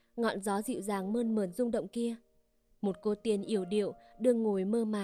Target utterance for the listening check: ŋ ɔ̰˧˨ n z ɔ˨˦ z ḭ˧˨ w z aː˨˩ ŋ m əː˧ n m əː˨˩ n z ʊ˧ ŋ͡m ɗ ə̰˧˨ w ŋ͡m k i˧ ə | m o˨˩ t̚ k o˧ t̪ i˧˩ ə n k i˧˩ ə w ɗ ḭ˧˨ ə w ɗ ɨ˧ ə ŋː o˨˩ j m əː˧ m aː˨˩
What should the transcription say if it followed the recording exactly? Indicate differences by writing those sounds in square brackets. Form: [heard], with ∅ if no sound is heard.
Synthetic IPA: ŋ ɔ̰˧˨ n z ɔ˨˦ z ḭ˧˨ w z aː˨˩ ŋ m əː˧ n m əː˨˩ n z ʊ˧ ŋ͡m ɗ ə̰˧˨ w ŋ͡m k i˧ ə | m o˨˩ t̚ k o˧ t̪ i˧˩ ə n [ʔ] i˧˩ ə w ɗ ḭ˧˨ ə w ɗ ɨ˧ ə ŋː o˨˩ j m əː˧ m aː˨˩